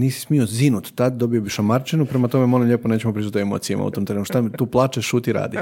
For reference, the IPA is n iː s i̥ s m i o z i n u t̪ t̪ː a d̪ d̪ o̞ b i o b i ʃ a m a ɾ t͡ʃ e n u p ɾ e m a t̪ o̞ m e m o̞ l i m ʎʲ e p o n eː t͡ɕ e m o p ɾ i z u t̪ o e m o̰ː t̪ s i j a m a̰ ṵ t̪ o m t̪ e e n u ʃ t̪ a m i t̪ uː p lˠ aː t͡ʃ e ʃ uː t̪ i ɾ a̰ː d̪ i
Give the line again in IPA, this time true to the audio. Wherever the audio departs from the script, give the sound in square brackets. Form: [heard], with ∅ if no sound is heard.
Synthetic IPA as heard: n iː s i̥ s m i o z i n u t̪ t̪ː a d̪ d̪ o̞ b i o b i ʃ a m a ɾ t͡ʃ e n u p ɾ e m a t̪ o̞ m e m o̞ l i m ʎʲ e p o n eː t͡ɕ e m o p ɾ i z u t̪ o e m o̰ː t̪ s i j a m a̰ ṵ t̪ o m t̪ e e n u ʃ t̪ a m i t̪ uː p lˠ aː t͡ʃ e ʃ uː t̪ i ɾ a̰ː d̪ i